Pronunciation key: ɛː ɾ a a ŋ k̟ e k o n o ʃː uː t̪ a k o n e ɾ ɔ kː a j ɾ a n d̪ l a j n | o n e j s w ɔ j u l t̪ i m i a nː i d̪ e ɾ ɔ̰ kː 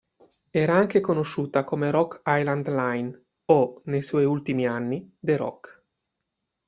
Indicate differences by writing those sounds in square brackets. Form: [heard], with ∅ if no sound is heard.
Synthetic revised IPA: ɛː ɾ a a ŋ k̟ e k o n o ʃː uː t̪ a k o [m] e ɾ ɔ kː a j [l] a n d̪ l a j n | o n e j s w ɔ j u l t̪ i m i a nː i d̪ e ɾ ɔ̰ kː